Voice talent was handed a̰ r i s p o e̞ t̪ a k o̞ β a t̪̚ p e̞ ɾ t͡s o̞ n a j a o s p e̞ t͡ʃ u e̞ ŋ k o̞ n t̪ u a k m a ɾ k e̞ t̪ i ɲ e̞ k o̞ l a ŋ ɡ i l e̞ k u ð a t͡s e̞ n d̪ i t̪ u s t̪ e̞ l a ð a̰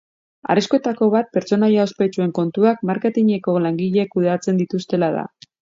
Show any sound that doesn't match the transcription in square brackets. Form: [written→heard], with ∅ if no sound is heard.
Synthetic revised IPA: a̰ r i s [p→k] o e̞ t̪ a k o̞ β a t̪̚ p e̞ ɾ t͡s o̞ n a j a o s p e̞ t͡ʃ u e̞ ŋ k o̞ n t̪ u a k m a ɾ k e̞ t̪ i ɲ e̞ k o̞ l a ŋ ɡ i [l→ʎ] e̞ k u ð a t͡s e̞ n d̪ i t̪ u s t̪ e̞ l a ð a̰